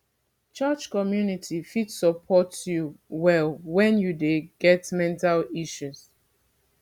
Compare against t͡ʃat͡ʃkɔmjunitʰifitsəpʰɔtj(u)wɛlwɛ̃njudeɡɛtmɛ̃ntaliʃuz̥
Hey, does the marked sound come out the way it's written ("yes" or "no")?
yes